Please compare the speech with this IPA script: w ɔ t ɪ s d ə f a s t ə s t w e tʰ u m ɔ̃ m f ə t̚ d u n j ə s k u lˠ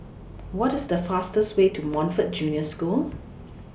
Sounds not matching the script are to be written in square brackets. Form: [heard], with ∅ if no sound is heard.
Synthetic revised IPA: w ɔ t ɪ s d ə f a s t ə s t w e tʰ u m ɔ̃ [n] f ə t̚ [d͡ʒ] u n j ə s k u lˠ